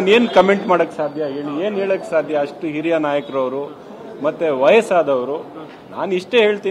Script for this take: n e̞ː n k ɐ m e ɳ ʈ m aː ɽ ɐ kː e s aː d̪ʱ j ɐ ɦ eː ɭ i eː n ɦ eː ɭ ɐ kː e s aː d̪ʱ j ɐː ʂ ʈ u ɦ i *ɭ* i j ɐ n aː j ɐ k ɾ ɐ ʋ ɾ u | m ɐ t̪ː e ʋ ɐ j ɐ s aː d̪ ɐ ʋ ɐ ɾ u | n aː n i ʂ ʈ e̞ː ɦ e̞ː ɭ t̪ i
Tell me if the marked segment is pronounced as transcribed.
no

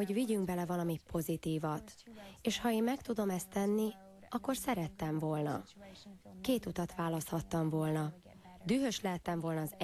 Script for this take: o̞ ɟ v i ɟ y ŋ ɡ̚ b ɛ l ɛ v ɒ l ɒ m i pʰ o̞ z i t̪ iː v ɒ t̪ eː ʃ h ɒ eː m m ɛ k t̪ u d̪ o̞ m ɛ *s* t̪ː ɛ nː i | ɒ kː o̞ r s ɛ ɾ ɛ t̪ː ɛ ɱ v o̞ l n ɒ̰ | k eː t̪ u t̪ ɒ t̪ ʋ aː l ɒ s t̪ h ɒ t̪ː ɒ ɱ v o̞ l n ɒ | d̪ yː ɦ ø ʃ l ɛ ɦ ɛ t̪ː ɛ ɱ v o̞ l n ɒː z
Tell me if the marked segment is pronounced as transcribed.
yes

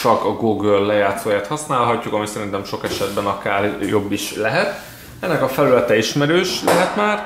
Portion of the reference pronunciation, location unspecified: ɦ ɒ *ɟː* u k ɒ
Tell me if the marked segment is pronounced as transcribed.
no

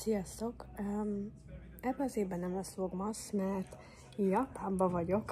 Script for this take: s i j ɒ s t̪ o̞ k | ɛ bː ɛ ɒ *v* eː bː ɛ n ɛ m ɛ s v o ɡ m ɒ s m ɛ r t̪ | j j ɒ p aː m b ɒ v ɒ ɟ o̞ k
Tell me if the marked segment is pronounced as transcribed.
no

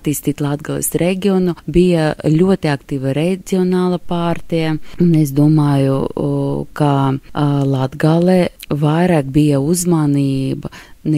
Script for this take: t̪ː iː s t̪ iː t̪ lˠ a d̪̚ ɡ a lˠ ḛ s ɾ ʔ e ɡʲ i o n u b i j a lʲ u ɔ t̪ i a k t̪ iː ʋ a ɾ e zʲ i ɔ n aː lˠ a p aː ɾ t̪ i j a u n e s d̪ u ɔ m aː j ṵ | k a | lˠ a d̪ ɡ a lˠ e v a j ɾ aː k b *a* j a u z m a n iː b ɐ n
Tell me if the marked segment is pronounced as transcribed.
no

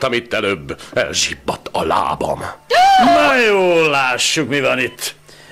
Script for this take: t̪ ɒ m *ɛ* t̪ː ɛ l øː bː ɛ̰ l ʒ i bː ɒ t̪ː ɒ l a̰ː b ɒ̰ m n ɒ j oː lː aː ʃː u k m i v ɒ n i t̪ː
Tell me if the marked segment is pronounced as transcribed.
no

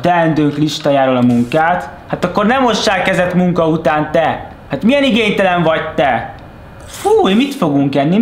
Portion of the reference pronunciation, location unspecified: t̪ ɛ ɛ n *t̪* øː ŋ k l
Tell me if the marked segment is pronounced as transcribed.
no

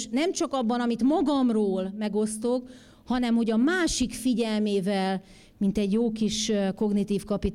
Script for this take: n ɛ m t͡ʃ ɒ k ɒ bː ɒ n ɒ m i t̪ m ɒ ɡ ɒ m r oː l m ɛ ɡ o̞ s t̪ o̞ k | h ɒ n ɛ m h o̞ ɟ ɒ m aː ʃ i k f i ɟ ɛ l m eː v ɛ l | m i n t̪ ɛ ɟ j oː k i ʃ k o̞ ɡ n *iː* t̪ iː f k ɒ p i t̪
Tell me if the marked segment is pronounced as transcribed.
no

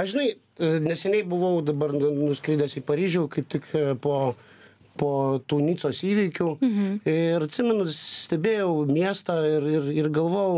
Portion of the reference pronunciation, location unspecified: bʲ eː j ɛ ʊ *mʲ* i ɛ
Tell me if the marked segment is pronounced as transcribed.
yes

